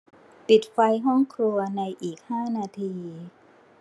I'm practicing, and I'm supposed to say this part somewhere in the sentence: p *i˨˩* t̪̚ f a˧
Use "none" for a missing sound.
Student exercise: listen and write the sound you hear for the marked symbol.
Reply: i˨˩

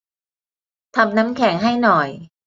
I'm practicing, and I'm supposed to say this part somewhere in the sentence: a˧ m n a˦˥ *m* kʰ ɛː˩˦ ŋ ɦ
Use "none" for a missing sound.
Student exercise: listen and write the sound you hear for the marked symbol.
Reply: m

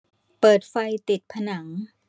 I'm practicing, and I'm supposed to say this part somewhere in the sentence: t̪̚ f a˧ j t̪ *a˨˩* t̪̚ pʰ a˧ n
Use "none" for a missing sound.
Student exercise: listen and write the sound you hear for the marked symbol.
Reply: i˨˩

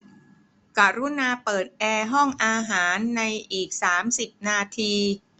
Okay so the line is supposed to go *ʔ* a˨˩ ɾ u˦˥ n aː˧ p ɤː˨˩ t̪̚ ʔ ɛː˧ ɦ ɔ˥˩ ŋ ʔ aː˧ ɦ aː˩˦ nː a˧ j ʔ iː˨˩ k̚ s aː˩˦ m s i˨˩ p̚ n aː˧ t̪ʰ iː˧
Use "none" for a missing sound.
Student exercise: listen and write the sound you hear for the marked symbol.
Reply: k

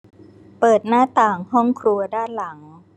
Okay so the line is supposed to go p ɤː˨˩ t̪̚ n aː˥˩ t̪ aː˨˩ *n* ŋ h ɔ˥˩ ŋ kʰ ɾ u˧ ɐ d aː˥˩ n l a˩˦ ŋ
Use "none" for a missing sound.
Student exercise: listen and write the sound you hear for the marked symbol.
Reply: none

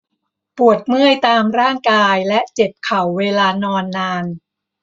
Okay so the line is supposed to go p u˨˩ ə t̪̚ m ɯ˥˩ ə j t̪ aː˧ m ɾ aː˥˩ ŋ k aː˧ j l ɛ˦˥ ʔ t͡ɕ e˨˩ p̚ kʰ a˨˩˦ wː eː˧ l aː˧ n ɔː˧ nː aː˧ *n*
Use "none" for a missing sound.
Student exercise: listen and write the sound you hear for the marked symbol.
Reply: n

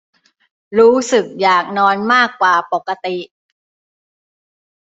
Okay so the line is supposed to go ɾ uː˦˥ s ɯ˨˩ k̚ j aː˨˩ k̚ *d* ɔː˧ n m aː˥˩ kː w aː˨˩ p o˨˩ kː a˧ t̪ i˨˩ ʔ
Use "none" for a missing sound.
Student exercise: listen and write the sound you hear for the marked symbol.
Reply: n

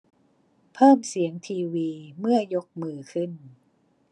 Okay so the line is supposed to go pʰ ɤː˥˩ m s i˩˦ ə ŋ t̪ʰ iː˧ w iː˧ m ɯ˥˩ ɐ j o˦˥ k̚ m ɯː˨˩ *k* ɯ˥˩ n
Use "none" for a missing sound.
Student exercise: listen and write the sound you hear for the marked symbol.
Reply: kʰ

